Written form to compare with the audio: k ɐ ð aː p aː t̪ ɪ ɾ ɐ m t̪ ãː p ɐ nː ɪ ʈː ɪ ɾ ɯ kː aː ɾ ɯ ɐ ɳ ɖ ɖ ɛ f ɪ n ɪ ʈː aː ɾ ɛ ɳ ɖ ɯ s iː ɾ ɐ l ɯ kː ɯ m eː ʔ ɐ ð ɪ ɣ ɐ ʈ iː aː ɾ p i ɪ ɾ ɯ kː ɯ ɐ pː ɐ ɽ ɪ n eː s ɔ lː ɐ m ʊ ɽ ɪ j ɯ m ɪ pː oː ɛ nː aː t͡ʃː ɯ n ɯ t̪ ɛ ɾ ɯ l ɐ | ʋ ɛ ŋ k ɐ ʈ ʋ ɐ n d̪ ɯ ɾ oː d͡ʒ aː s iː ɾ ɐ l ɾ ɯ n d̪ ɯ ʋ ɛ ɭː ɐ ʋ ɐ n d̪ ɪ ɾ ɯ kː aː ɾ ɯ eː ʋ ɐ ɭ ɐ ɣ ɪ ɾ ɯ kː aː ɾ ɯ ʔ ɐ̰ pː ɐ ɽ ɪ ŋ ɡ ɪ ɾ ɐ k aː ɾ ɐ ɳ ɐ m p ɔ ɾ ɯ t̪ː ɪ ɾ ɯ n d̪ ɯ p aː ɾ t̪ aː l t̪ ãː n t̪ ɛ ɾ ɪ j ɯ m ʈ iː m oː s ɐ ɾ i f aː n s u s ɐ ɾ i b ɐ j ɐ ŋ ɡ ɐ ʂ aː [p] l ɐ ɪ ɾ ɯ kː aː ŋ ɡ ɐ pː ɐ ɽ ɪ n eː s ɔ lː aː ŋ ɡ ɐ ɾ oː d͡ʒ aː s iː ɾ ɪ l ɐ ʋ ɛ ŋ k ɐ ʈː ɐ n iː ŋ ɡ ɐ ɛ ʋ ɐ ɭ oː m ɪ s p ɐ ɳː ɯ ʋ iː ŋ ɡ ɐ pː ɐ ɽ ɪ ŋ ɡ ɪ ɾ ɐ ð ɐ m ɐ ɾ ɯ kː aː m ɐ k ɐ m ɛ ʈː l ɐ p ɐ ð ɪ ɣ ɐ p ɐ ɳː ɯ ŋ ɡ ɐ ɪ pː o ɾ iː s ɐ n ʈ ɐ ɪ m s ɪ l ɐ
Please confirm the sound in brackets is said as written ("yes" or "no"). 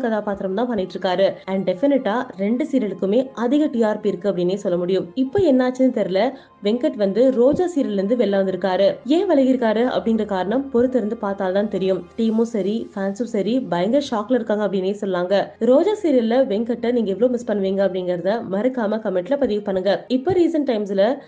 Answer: no